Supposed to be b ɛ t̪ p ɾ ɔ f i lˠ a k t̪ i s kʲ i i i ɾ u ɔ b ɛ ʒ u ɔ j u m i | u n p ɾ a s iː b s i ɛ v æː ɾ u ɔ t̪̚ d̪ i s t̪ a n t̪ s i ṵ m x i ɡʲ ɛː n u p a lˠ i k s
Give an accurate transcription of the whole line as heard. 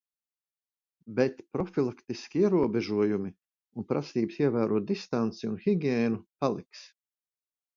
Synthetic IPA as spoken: b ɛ t̪ p ɾ ɔ f i lˠ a k t̪ i s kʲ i i ɛ ɾ u ɔ b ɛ ʒ u ɔ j u m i | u n p ɾ a s iː b s i ɛ v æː ɾ u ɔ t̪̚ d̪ i s t̪ a n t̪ s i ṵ n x i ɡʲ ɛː n u p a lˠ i k s